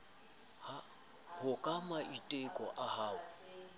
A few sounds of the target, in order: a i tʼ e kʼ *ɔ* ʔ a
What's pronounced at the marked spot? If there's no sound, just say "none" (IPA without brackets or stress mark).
ɔ